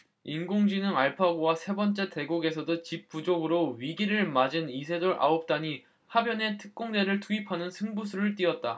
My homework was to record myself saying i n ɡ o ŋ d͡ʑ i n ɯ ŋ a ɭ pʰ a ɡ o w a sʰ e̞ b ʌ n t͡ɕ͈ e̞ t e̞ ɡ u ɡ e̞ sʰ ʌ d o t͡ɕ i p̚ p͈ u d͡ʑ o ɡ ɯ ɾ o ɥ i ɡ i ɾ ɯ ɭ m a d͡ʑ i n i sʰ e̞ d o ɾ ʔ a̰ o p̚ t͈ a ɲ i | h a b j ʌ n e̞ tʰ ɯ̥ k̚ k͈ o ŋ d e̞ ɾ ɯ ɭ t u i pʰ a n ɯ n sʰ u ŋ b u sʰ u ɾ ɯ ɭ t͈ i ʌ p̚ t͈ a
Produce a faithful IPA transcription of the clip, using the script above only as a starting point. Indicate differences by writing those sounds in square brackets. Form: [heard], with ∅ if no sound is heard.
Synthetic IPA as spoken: i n ɡ o ŋ d͡ʑ i n ɯ ŋ a ɭ pʰ a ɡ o w a sʰ e̞ b ʌ n t͡ɕ͈ e̞ t e̞ ɡ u ɡ e̞ sʰ ʌ d o t͡ɕ i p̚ p͈ u d͡ʑ o ɡ ɯ ɾ o ɥ i ɡ i ɾ ɯ ɭ m a d͡ʑ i n i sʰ e̞ d o ɾ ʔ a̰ o p̚ t͈ a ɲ i | h a b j ʌ n e̞ tʰ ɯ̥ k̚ k͈ o ŋ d e̞ ɾ ɯ ɭ t u i pʰ a n ɯ n sʰ [ɯ] ŋ b u sʰ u ɾ ɯ ɭ t͈ i ʌ [t̚] t͈ a